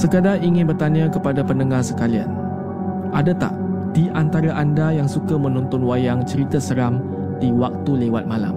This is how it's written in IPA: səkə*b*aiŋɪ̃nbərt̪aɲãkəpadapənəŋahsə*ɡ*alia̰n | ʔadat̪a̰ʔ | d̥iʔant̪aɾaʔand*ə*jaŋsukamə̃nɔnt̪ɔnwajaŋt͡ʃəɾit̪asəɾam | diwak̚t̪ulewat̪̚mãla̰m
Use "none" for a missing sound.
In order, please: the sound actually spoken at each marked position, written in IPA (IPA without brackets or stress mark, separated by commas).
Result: d, k, a